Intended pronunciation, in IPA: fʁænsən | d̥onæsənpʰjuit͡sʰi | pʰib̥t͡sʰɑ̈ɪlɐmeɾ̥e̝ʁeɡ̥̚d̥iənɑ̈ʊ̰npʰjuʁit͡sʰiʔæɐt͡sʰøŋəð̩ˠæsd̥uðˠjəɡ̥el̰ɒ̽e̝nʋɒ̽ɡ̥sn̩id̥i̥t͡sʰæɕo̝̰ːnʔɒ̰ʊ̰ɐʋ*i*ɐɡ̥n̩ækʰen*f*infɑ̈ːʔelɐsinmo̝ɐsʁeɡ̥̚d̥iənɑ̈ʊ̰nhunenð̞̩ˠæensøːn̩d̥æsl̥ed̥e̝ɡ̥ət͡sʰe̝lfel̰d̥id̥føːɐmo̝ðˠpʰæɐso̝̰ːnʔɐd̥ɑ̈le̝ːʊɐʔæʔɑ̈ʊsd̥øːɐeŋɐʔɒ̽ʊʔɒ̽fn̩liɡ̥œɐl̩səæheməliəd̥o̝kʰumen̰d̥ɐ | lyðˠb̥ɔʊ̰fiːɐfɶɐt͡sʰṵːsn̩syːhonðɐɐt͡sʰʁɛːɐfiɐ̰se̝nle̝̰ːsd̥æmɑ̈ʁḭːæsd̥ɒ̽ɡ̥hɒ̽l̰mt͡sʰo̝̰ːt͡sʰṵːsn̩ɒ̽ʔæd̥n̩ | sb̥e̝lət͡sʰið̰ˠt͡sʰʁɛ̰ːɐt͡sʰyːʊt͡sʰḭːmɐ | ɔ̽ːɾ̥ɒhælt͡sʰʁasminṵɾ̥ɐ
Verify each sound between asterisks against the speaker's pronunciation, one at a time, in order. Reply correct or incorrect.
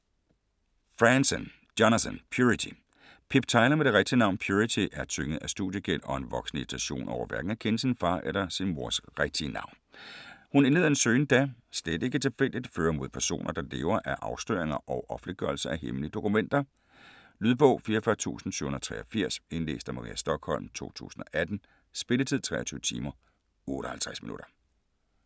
incorrect: æ, incorrect: s

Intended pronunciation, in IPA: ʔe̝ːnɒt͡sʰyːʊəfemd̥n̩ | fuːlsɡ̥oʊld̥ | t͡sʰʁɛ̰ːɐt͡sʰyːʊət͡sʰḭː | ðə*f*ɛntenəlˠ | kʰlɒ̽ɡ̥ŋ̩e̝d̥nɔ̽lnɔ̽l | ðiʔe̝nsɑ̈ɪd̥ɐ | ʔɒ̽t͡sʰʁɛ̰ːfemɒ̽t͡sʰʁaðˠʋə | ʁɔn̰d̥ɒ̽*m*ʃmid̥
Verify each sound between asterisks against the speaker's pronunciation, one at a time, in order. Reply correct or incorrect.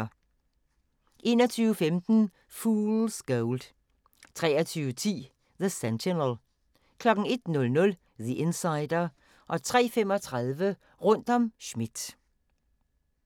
incorrect: s, correct

